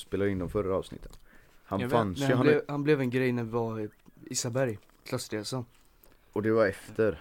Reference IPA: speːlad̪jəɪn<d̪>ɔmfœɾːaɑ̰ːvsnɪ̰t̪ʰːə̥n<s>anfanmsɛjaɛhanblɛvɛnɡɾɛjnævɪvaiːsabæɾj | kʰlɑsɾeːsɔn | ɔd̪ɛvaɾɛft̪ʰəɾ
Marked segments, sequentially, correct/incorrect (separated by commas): correct, incorrect